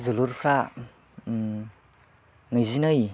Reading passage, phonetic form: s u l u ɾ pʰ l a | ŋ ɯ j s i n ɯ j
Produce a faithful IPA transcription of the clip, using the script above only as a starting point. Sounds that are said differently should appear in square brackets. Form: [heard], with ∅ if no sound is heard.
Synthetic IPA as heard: [z] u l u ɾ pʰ [ɾ] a | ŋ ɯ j [z] i n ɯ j